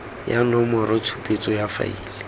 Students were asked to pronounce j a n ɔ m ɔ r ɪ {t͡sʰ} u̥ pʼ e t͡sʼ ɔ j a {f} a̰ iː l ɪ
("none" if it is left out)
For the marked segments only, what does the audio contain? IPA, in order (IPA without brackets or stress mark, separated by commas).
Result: t͡sʰ, f